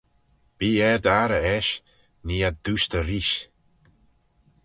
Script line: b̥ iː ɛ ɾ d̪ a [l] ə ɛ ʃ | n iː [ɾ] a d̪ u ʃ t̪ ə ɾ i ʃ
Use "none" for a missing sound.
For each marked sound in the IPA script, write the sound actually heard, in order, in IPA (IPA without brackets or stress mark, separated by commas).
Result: ɾ, none